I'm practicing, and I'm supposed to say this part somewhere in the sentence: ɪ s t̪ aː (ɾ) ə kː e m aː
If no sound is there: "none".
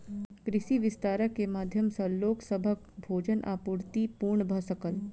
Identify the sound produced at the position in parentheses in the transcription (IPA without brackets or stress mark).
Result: ɾ